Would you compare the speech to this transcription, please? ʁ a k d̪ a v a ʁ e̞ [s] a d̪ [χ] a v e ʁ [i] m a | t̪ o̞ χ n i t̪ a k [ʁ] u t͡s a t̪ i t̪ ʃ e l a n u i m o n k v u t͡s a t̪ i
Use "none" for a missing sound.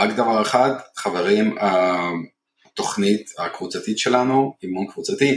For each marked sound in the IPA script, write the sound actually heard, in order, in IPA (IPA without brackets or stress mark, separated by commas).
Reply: χ, χ, i, v